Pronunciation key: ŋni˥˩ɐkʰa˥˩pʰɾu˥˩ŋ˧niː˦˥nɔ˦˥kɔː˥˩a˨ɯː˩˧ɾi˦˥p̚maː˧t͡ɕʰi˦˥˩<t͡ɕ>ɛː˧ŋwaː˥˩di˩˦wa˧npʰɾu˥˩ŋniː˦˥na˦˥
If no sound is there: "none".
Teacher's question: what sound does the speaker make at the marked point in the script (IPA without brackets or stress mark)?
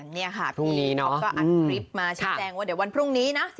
t͡ɕ